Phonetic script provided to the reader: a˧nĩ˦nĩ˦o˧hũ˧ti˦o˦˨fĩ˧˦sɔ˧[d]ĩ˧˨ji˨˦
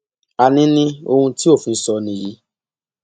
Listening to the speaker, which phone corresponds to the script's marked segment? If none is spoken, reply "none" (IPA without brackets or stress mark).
n